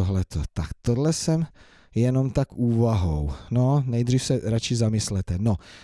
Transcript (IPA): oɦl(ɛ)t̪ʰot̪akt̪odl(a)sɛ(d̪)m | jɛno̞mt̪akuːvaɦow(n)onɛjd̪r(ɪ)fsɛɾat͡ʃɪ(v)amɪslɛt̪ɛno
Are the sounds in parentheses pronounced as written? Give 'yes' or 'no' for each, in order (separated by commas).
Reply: yes, no, no, yes, no, no